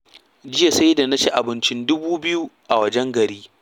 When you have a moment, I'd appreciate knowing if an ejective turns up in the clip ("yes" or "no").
no